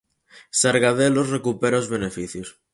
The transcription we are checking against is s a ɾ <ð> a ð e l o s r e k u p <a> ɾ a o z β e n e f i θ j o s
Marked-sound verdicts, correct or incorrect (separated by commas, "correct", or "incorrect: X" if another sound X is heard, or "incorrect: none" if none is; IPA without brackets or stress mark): incorrect: ɣ, incorrect: e